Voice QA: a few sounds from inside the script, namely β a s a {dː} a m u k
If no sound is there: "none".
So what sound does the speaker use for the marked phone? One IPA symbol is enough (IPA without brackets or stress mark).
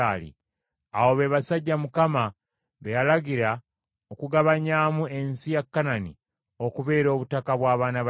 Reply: ɟː